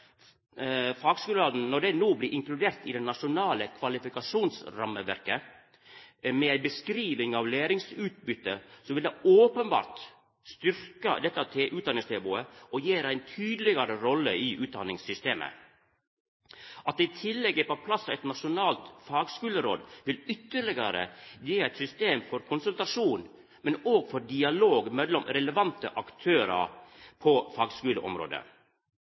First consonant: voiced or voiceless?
voiceless